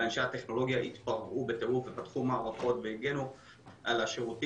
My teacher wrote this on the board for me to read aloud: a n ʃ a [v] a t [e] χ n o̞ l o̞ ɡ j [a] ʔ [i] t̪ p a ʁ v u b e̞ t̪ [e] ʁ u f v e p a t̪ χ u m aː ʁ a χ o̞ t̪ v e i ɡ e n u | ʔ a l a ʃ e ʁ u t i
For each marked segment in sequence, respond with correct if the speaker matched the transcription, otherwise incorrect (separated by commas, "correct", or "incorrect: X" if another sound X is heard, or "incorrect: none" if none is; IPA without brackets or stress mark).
incorrect: none, correct, correct, correct, correct